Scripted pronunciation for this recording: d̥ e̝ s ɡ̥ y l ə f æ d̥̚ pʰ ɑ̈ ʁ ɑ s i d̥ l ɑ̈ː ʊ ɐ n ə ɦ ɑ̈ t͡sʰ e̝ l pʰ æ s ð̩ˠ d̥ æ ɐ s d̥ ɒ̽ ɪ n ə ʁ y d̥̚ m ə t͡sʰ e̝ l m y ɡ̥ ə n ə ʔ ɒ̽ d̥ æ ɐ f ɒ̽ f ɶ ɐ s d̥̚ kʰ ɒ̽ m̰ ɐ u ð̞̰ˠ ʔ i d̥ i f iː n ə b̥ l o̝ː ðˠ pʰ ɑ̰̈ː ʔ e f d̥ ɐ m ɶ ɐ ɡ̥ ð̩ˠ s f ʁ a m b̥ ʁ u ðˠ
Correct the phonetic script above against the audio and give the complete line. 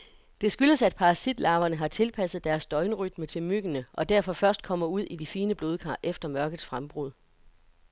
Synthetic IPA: d̥ e̝ s ɡ̥ y l ə s æ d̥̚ pʰ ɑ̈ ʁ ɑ s i d̥ l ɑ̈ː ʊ ɐ n ə ɦ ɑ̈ t͡sʰ e̝ l pʰ æ s ð̩ˠ d̥ æ ɐ s d̥ ɒ̽ ɪ n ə ʁ y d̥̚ m ə t͡sʰ e̝ l m y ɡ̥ ə n ə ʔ ɒ̽ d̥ æ ɐ f ɒ̽ f ɶ ɐ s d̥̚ kʰ ɒ̽ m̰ ɐ u ð̞̰ˠ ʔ i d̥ i f iː n ə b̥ l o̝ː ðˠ kʰ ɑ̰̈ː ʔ e f d̥ ɐ m ɶ ɐ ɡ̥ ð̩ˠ s f ʁ a m b̥ ʁ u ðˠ